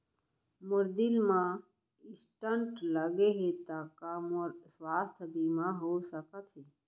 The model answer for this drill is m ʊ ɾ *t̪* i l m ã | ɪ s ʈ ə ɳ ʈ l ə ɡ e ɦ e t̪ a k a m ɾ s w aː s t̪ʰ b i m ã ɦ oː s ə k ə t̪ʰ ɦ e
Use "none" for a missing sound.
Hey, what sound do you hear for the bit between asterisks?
d̪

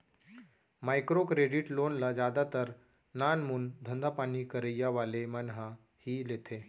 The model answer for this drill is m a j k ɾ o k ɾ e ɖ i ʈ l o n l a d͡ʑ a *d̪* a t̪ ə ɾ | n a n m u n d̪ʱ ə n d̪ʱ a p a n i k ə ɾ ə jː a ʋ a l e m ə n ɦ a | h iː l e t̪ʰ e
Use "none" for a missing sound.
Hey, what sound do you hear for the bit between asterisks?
d̪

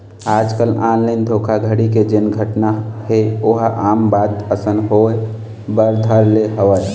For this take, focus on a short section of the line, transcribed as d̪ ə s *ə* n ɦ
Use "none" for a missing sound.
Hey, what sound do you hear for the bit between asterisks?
ə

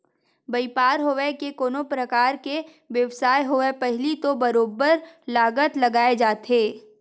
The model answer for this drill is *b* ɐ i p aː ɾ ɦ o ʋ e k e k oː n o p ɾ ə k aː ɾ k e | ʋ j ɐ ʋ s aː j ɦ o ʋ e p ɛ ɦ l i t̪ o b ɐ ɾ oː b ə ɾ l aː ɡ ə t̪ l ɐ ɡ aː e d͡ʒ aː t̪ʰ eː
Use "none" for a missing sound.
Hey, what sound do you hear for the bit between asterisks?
b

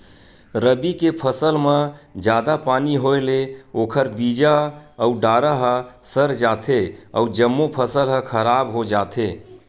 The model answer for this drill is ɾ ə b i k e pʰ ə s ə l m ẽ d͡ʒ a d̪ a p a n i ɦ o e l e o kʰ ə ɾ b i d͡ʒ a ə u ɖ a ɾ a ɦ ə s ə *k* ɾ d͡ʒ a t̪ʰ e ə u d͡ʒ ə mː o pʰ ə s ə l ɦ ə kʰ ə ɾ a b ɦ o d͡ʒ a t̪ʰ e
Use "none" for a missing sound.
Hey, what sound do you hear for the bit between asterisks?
none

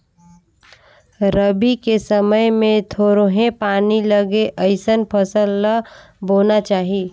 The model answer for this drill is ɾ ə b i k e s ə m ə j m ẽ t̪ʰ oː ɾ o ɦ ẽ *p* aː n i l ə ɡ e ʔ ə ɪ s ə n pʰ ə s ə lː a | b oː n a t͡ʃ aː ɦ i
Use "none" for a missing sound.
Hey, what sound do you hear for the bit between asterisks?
p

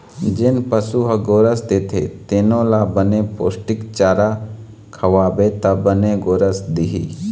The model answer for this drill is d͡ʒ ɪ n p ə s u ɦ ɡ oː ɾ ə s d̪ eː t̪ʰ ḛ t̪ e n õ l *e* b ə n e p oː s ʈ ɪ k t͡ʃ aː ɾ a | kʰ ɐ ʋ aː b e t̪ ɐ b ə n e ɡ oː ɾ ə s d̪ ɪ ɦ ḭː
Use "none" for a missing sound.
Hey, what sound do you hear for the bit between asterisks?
a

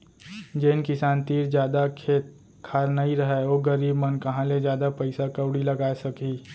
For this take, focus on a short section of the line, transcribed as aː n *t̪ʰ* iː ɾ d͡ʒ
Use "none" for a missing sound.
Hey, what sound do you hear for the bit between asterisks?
t̪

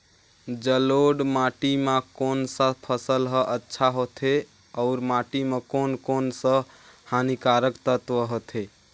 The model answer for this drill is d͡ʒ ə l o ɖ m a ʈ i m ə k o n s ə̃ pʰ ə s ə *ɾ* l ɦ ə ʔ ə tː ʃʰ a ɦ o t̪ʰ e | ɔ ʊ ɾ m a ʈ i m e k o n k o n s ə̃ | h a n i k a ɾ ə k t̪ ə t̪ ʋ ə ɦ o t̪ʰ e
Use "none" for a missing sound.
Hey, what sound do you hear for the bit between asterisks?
none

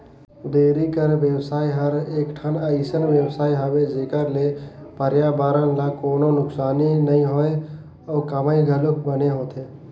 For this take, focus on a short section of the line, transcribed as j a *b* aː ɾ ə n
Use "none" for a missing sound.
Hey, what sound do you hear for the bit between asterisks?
b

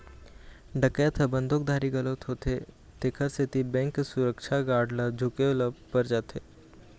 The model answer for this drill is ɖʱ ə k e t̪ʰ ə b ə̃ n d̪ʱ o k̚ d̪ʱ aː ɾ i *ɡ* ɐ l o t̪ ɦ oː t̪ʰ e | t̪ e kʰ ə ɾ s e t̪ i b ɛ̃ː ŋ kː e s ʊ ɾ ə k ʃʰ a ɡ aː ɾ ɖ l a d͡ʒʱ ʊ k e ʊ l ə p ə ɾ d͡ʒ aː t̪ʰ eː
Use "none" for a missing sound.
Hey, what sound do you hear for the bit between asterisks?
ɡ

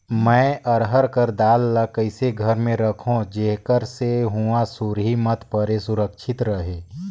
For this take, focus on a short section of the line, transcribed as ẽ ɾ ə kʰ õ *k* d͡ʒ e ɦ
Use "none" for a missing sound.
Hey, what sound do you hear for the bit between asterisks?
none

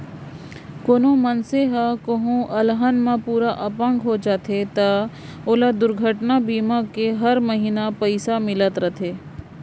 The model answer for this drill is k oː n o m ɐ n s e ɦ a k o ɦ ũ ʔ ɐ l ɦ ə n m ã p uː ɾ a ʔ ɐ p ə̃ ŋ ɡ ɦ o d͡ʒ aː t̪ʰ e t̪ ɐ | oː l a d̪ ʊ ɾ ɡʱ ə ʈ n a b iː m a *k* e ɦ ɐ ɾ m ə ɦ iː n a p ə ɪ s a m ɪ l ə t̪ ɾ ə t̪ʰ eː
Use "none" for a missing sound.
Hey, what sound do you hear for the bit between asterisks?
k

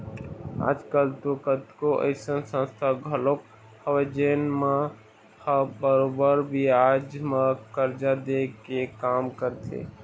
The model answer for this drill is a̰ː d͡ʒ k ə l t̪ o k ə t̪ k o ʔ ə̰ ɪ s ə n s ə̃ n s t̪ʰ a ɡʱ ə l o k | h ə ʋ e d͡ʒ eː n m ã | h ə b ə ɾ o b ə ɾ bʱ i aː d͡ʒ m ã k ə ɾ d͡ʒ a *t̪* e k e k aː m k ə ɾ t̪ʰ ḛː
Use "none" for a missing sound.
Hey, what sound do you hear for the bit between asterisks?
d̪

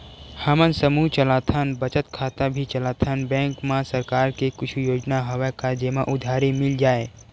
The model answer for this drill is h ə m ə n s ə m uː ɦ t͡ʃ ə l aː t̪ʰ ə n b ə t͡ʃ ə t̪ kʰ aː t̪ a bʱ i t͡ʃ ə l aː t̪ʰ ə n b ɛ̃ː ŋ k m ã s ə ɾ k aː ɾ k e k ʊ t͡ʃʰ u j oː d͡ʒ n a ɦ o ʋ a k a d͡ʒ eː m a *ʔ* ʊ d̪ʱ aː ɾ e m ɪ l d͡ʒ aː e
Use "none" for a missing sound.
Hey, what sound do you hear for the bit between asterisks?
ʔ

